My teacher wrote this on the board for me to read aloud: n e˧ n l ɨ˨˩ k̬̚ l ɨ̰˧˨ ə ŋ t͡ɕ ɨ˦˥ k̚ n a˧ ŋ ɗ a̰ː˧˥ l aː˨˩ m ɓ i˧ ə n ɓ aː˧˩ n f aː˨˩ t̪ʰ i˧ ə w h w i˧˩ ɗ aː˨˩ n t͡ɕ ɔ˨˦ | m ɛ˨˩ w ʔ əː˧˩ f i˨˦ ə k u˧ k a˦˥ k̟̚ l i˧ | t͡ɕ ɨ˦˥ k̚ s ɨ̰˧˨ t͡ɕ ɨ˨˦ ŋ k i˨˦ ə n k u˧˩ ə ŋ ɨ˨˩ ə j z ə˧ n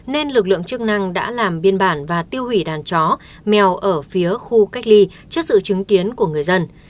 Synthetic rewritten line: n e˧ n l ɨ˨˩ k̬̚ l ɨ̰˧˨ ə ŋ t͡ɕ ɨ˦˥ k̚ n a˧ ŋ ɗ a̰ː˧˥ l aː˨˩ m ɓ i˧ ə n ɓ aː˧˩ n v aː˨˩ t̪ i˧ ə w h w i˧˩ ɗ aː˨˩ n t͡ɕ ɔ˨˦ | m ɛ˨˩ w ʔ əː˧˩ f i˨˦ ə x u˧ k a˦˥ k̟̚ l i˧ | t͡ɕ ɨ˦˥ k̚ s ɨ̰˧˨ t͡ɕ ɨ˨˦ ŋ k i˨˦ ə n k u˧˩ ə ŋ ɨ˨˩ ə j z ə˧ n